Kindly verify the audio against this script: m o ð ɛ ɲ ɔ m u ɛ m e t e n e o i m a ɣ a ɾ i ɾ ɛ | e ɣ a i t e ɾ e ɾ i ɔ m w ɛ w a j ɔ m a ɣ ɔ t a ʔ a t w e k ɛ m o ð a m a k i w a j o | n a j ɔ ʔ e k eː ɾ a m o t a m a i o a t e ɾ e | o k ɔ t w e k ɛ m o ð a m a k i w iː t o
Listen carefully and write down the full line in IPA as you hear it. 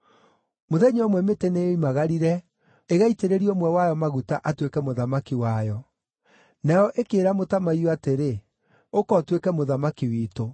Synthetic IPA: m o ð ɛ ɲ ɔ m w ɛ m e t e n e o i m a ɣ a ɾ i ɾ ɛ | e ɣ a i t e ɾ e ɾ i ɔ m w ɛ w a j ɔ m a ɣ u t a ʔ a t w e k ɛ m o ð a m a k i w a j ɔ | n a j ɔ ʔ e k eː ɾ a m o t a m a i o a t e ɾ e | o k ɔ t w e k ɛ m o ð a m a k i w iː t o